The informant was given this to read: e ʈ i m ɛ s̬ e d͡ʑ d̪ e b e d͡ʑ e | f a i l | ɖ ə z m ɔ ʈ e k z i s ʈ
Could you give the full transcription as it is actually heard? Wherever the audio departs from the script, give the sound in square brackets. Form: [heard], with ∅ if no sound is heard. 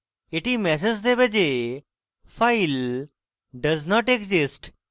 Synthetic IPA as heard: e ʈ i m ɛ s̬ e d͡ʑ d̪ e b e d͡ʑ e | f a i l | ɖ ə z [n] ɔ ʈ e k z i s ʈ